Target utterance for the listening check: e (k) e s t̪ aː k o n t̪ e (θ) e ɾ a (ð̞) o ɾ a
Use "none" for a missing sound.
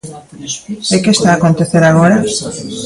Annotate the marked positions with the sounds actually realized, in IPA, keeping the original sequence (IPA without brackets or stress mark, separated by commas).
k, θ, ɣ̞